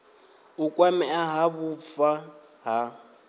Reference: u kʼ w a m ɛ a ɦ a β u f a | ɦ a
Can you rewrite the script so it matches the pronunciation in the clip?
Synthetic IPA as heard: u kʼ w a m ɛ a ɦ a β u f a | ɦ a

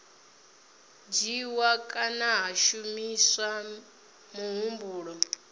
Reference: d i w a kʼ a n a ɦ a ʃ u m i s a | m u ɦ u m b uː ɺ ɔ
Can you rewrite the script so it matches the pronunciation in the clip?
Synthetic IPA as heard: d͡ʒ i w a kʼ a n a ɦ a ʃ u m i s a | m u ɦ u m b uː ɺ ɔ

